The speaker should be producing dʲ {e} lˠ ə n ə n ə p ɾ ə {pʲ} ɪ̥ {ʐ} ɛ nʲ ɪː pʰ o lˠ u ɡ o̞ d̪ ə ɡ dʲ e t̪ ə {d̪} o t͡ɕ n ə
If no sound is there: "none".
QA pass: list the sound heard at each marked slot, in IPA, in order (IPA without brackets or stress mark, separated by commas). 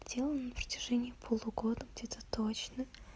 e, tʲ, ʐ, t̪